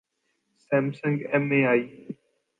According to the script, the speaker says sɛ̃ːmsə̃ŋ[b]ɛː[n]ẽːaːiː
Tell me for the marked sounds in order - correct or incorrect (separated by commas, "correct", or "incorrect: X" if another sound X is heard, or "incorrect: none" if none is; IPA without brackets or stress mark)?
incorrect: ɡ, incorrect: m